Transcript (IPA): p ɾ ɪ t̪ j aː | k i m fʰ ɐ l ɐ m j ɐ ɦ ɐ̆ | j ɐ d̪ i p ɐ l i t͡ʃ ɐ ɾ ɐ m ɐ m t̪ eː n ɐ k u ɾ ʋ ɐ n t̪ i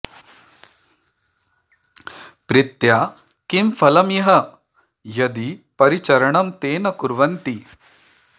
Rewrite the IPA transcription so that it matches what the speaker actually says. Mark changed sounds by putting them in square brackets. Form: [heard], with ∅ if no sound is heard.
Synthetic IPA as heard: p ɾ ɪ t̪ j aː | k i m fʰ ɐ l ɐ m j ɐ ɦ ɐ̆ | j ɐ d̪ i p ɐ [ɾ] i t͡ʃ ɐ ɾ ɐ [ɳ] ɐ m t̪ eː n ɐ k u ɾ ʋ ɐ n t̪ i